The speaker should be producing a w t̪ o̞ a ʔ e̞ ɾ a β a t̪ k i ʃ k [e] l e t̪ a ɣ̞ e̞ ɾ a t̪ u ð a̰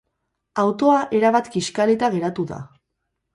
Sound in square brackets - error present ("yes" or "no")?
yes